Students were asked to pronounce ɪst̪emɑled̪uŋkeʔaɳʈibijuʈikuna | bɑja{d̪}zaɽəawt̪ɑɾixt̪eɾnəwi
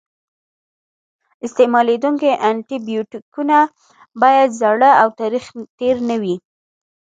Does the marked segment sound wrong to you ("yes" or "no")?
no